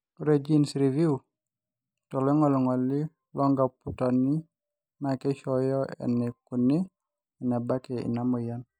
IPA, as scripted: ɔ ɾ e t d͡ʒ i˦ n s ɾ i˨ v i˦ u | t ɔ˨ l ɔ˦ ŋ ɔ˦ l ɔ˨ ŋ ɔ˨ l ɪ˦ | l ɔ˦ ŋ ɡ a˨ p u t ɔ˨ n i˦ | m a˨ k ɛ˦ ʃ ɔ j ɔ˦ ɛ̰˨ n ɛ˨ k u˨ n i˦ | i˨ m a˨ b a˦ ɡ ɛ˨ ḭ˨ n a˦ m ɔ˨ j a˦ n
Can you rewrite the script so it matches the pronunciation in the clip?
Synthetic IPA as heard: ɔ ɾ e d͡ʒ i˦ n s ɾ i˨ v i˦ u | t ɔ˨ l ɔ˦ ŋ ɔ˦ l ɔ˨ ŋ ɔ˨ l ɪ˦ | l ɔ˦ ŋ ɡ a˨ p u t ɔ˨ n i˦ | m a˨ k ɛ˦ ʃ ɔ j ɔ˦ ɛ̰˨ n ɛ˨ k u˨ n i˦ | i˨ n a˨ b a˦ k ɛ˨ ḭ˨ n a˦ m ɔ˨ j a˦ n